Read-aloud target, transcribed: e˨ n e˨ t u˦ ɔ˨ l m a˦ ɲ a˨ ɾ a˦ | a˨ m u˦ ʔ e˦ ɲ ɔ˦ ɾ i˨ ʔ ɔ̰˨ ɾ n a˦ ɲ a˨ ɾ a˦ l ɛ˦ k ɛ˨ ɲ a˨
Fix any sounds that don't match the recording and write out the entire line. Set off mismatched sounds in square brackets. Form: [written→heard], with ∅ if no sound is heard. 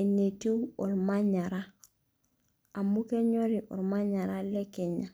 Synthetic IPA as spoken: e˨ n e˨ t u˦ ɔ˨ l m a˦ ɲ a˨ ɾ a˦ | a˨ m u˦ [ʔ→k] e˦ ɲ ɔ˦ ɾ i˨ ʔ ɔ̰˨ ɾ [n→m] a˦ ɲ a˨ ɾ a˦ l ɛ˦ k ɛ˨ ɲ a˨